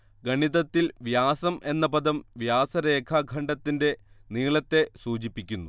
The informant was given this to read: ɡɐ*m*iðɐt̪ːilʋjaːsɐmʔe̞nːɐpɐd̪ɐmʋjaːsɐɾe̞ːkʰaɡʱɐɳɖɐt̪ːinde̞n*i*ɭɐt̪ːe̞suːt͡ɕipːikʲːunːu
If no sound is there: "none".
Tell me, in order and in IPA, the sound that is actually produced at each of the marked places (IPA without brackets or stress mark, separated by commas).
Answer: ɳ, iː